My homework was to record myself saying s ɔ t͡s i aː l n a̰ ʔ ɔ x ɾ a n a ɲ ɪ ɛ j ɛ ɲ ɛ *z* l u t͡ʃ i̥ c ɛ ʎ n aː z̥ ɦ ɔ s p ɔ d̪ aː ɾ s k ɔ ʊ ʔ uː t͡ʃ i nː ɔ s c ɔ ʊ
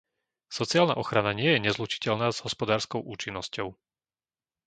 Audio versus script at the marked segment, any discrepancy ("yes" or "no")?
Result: no